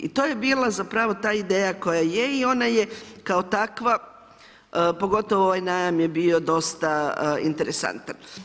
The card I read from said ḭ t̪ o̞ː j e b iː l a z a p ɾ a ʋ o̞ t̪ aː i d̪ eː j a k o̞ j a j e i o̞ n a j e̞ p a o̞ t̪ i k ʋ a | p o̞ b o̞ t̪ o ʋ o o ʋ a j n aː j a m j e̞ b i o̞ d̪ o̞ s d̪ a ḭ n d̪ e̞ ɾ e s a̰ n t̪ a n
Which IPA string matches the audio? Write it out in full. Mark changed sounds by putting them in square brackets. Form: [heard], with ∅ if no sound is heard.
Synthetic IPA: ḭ t̪ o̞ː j e b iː l a z a p ɾ a ʋ o̞ t̪ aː i d̪ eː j a k o̞ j a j e i o̞ n a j e̞ [k] a o̞ t̪ [a] k ʋ a | p o̞ [ɡ] o̞ t̪ o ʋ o o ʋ a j n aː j a m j e̞ b i o̞ d̪ o̞ s [t̪] a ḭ n [t̪] e̞ ɾ e s a̰ n t̪ a n

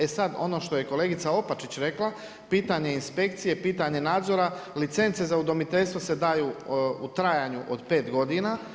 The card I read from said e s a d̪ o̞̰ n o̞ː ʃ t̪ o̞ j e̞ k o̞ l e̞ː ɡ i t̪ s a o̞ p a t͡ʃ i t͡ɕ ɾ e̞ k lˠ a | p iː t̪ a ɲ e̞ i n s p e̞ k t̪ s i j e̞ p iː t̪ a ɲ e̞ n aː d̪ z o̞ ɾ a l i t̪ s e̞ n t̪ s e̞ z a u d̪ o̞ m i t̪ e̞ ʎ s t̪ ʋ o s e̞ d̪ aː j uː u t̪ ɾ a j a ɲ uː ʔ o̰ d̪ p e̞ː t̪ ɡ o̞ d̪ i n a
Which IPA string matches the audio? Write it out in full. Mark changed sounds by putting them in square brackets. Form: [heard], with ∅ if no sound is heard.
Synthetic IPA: e s a d̪ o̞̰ n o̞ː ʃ t̪ o̞ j e̞ k o̞ l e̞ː ɡ i t̪ s a o̞ p a t͡ʃ i t͡ɕ ɾ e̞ k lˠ a | p iː t̪ a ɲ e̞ i n s p e̞ k t̪ s i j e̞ p iː t̪ a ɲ e̞ n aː d̪ z o̞ ɾ a l i t̪ s e̞ n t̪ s e̞ z a u d̪ o̞ m i t̪ e̞ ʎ s t̪ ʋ o s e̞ d̪ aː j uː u t̪ ɾ a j a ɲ [u] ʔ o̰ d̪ p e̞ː t̪ ɡ o̞ d̪ i n a

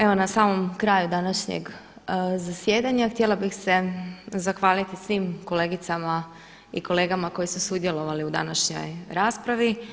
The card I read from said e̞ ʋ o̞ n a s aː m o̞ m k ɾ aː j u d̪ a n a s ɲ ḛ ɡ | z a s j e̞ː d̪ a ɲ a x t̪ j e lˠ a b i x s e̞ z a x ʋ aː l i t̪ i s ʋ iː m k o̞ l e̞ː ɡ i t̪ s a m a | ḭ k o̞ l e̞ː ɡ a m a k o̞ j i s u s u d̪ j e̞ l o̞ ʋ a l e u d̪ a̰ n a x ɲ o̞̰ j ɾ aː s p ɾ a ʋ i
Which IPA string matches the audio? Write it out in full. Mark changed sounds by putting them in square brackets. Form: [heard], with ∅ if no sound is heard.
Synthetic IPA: e̞ ʋ o̞ n a s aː m o̞ m k ɾ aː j u d̪ a n a [ʃ] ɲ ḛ ɡ | z a s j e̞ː d̪ a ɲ a x t̪ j e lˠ a b i x s e̞ z a x ʋ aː l i t̪ i s ʋ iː m k o̞ l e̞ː ɡ i t̪ s a m a | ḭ k o̞ l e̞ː ɡ a m a k o̞ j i s u s u d̪ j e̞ l o̞ ʋ a l [i] u d̪ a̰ n a [ʃ] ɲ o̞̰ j ɾ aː s p ɾ a ʋ i

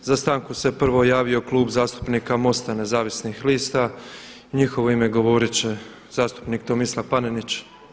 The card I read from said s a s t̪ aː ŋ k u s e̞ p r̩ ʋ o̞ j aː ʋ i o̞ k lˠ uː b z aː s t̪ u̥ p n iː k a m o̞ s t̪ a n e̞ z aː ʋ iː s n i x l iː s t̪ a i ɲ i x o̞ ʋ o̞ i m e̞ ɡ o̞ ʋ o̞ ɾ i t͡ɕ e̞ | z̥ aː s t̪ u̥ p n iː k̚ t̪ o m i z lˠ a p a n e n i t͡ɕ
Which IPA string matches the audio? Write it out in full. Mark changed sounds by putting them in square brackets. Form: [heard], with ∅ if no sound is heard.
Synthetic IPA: [z] a s t̪ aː ŋ k u s e̞ p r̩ ʋ o̞ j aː ʋ i o̞ k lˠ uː b z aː s t̪ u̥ p n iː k a m o̞ s t̪ a n e̞ z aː ʋ [i] s n i x l iː s t̪ a i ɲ i x o̞ ʋ o̞ i m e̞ ɡ o̞ ʋ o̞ ɾ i t͡ɕ e̞ | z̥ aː s t̪ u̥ p n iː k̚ t̪ o m i [s] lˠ a p a n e n i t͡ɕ

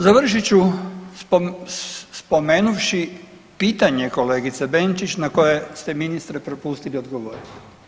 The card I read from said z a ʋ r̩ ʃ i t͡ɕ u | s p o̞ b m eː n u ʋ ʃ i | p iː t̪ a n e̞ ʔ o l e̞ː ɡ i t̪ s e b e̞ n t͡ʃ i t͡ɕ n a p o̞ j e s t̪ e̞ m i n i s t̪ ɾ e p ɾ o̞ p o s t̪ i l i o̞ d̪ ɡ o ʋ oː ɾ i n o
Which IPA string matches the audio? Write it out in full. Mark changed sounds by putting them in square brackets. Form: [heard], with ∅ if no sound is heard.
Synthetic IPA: z a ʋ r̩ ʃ i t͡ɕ u | s p o̞ [∅] m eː n u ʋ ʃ i | p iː t̪ a [ɲ] e̞ [k] o l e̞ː ɡ i t̪ s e b e̞ n t͡ʃ i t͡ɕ n a [k] o̞ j e s t̪ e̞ m i n i s t̪ ɾ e p ɾ o̞ p [u] s t̪ i l i o̞ d̪ ɡ o ʋ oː ɾ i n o

